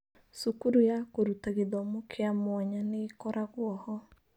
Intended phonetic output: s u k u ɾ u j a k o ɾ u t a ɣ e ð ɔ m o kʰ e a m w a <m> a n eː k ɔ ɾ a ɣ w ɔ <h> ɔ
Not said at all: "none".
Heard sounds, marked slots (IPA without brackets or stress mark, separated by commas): ɲ, h